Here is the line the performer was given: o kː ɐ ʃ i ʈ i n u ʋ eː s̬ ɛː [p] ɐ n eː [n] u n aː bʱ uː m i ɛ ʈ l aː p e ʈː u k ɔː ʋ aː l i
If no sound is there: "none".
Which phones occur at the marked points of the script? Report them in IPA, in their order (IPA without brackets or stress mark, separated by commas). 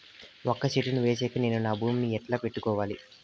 k, n